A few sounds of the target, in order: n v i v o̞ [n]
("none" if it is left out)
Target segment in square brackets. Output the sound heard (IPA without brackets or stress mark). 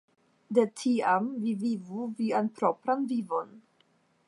n